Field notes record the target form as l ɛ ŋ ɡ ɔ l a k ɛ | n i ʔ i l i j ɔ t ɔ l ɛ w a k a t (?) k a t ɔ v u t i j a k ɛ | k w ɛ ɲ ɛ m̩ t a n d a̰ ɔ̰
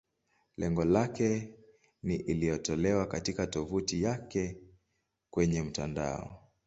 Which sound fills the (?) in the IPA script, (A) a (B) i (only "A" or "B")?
B